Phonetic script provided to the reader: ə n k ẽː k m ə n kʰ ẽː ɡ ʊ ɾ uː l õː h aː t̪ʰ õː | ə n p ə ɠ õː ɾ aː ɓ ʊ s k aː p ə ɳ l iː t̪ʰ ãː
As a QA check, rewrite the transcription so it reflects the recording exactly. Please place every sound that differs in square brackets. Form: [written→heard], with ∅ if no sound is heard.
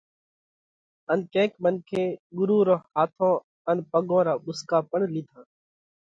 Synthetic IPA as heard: ə n k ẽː k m ə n kʰ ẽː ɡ ʊ ɾ uː [l→ɾ] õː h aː t̪ʰ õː | ə n p ə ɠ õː ɾ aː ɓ ʊ s k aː p ə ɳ l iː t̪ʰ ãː